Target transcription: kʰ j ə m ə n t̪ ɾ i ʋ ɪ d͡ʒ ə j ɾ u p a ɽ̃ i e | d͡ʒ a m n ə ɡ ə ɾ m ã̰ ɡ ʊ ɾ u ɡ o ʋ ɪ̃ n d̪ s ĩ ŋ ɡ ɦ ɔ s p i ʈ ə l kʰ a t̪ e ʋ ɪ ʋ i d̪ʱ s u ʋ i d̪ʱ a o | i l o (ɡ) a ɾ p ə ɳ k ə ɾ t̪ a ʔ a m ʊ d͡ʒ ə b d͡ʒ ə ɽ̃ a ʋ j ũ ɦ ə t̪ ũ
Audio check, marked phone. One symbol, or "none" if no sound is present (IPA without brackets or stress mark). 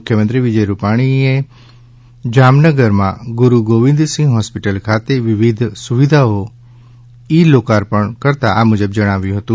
k